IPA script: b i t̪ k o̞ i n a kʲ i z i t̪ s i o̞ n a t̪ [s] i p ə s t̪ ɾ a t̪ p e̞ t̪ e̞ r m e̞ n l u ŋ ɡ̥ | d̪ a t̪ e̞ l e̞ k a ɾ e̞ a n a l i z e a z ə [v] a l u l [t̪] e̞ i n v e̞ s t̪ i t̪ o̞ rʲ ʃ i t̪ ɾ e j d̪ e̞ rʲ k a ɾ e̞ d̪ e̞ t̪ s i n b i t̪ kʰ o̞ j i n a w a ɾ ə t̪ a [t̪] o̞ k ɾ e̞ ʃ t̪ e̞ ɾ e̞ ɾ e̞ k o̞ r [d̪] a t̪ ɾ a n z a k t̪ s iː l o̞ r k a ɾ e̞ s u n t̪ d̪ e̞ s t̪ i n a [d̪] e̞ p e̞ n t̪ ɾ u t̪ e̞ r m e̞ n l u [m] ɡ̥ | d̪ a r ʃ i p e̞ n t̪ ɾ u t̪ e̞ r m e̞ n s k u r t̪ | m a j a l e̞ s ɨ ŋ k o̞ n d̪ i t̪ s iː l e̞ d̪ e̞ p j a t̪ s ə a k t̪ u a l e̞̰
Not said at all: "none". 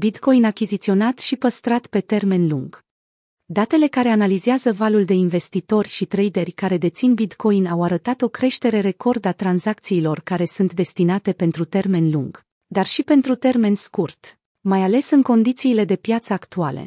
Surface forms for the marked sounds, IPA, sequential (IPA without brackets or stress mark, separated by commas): ʃ, v, d̪, t̪, d̪, t̪, ŋ